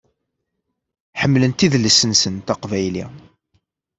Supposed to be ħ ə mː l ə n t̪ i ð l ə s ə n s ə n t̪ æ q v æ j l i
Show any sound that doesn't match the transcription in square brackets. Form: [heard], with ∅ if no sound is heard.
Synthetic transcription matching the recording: ħ ə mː l ə n t̪ i ð l ə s ə n s ə n t̪ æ q v æ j l i